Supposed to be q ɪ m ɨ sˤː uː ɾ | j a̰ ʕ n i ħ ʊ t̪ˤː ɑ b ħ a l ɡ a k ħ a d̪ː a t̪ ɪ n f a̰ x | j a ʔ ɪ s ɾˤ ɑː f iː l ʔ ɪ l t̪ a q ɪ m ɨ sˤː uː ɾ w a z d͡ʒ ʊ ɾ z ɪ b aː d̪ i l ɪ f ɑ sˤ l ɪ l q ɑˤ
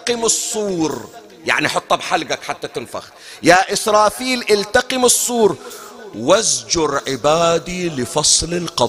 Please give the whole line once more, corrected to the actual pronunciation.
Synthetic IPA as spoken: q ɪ m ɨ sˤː uː ɾ | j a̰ ʕ n i ħ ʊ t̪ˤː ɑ b ħ a l ɡ a k ħ a t̪ː a t̪ ɪ n f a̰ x | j a ʔ ɪ s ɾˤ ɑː f iː l ʔ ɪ l t̪ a q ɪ m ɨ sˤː uː ɾ w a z d͡ʒ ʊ ɾ ʕ ɪ b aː d̪ i l ɪ f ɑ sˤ l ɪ l q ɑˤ